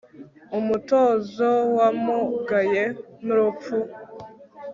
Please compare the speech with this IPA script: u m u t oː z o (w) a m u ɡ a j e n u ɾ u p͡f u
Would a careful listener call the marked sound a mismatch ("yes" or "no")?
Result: no